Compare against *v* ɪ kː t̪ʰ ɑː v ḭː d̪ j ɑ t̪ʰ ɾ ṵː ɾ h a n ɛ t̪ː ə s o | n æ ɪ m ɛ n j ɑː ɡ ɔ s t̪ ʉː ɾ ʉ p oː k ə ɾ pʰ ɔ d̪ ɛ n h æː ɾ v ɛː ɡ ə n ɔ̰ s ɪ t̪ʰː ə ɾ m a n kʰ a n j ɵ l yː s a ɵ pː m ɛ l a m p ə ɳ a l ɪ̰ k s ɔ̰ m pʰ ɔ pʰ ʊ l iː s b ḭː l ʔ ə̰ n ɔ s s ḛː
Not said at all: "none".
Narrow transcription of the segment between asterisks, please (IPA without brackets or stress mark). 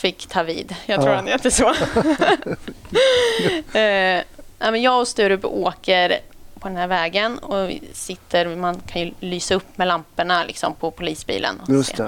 f